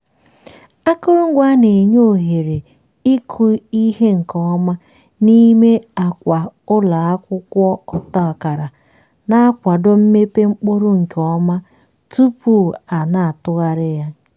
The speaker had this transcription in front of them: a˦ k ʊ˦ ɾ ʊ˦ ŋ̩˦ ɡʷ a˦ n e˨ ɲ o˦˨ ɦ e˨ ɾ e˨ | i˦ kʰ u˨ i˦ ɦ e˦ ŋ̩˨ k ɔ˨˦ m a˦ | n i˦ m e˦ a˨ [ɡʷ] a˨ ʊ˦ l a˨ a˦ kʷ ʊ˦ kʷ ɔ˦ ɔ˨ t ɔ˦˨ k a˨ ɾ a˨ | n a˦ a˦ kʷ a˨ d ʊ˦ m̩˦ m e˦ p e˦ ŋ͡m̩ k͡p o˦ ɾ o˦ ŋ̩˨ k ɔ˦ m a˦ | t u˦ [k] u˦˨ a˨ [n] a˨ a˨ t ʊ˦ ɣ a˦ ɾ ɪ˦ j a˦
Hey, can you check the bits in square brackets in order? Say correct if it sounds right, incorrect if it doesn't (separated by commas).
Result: incorrect, incorrect, correct